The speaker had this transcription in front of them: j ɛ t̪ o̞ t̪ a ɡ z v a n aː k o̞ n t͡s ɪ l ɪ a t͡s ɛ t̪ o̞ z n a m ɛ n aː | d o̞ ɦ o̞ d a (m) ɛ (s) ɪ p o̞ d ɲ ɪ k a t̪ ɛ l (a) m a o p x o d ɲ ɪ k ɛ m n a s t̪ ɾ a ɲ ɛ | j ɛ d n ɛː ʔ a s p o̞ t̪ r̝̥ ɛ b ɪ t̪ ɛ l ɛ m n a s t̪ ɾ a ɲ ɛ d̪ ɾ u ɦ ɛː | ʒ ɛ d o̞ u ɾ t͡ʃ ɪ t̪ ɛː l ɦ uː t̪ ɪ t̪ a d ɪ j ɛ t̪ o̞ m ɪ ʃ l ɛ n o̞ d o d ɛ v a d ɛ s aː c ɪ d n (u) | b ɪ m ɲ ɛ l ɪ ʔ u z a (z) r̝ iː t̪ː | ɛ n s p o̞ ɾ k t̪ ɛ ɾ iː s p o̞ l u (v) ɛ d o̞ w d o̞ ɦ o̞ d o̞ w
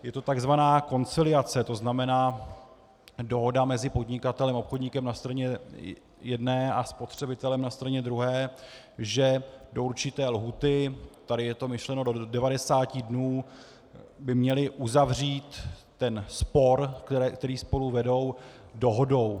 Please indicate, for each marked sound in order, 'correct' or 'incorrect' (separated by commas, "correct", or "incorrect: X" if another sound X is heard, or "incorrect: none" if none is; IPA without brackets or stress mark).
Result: correct, incorrect: z, incorrect: ɛ, incorrect: uː, incorrect: v, correct